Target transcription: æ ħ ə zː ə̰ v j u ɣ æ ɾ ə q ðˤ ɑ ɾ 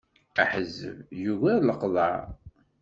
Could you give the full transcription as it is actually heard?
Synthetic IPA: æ ħ ə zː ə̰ v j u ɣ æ l ə q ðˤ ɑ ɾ